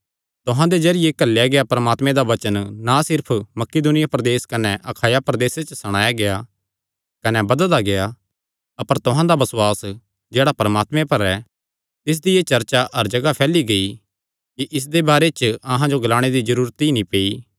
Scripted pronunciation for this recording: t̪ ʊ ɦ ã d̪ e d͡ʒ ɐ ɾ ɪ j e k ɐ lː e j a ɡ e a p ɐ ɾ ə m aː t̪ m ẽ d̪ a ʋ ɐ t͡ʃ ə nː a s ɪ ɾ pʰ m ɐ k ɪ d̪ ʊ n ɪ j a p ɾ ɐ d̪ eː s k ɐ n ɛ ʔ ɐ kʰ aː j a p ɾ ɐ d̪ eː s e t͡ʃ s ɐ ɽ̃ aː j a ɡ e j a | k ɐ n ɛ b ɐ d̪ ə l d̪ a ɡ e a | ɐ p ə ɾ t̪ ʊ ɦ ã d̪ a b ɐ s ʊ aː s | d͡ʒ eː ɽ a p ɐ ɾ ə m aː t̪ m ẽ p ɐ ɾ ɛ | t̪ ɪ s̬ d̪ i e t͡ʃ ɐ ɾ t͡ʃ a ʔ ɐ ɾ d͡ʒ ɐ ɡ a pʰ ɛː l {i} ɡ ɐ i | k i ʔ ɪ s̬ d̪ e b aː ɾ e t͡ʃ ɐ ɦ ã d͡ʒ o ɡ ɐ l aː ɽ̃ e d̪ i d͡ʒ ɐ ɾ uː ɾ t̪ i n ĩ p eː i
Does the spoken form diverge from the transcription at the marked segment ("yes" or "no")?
no